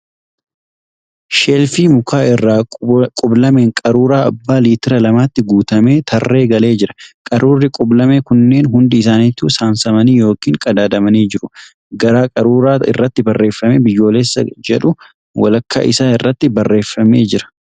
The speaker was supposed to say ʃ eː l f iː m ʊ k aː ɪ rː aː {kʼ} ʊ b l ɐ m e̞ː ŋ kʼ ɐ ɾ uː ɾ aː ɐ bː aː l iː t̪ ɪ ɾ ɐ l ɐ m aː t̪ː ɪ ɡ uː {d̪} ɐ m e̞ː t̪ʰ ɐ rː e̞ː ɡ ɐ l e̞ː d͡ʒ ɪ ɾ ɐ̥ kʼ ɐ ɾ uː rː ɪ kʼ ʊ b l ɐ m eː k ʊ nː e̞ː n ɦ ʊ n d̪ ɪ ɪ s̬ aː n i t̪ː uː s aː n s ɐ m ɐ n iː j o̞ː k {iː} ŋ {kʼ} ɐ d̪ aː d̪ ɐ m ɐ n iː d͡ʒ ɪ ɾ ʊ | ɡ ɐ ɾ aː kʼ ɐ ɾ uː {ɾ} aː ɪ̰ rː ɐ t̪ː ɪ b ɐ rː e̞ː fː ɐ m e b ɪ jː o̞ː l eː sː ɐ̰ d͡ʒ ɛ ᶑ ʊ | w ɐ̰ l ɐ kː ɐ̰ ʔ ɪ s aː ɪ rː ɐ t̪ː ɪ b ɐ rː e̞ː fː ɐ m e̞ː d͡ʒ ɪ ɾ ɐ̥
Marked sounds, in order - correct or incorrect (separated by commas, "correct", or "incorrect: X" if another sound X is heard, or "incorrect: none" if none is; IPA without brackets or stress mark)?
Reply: correct, incorrect: t̪, correct, correct, correct